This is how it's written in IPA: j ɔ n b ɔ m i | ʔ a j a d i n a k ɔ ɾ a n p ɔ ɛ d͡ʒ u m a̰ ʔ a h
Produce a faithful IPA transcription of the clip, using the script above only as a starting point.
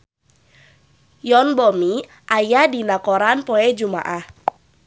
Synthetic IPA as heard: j ɔ n b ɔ m i | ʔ a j a d i n a k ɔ ɾ a n p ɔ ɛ d͡ʒ u m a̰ ʔ a h